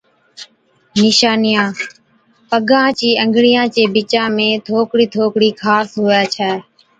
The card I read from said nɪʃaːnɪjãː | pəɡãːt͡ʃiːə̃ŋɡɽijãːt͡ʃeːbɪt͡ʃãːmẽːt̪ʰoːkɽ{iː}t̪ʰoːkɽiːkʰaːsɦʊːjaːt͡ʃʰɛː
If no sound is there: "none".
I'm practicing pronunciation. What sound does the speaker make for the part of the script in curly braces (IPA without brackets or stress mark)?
iː